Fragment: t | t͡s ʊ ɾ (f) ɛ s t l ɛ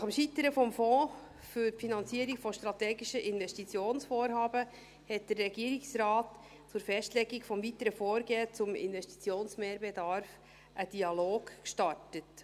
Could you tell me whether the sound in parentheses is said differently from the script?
no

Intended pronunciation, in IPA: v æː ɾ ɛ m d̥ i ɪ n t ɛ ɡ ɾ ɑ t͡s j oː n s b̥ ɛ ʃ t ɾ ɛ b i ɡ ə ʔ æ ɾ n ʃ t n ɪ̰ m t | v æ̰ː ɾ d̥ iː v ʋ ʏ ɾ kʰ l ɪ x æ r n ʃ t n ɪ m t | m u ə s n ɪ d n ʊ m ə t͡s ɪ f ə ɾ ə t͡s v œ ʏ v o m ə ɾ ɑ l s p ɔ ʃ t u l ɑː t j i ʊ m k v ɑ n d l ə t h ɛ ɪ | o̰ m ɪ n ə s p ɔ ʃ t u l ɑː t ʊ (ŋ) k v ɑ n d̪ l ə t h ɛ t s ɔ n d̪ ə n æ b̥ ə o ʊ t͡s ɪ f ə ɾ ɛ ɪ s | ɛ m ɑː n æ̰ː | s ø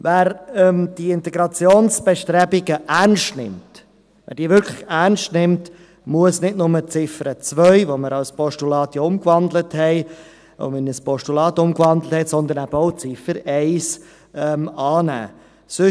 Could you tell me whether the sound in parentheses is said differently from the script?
yes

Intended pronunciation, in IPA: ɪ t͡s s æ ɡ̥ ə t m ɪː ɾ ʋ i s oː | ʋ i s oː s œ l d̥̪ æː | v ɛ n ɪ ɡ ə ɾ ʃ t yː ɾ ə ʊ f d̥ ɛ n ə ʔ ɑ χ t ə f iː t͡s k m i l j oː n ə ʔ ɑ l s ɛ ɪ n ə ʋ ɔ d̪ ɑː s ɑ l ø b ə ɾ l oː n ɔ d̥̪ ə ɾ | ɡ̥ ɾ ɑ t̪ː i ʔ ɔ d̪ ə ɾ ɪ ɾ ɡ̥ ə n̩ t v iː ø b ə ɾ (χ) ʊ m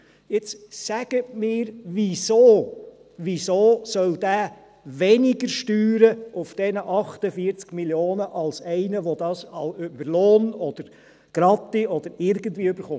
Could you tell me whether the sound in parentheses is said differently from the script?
no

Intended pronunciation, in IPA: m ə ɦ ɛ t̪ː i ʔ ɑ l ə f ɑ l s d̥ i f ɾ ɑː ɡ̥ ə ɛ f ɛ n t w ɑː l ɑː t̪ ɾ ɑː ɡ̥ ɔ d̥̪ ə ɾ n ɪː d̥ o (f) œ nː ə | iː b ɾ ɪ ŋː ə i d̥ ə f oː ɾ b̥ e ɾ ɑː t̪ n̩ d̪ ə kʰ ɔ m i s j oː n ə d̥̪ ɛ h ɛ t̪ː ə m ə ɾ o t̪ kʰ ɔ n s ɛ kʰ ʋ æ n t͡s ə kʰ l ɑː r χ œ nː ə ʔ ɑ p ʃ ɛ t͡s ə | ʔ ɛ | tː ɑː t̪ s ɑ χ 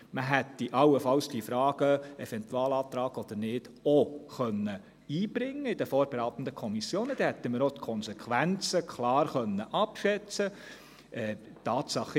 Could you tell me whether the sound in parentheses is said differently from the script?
yes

